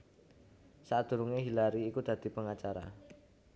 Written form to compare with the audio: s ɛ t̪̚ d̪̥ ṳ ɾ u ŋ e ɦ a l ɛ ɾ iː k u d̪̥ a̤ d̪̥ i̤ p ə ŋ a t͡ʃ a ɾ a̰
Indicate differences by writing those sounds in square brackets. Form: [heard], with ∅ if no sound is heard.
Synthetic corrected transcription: s [a] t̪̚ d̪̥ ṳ ɾ u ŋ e ɦ [i] l [a] ɾ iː k u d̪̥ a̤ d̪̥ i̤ p ə ŋ a t͡ʃ a ɾ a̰